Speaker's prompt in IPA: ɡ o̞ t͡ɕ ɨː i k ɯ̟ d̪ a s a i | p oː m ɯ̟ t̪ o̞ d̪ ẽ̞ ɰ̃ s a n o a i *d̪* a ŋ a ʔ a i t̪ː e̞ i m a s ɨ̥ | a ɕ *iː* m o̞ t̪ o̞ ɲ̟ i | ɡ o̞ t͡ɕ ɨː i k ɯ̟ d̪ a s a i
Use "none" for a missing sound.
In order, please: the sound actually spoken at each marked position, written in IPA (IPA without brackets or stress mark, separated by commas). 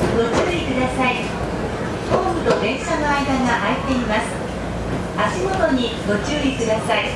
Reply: d̪, i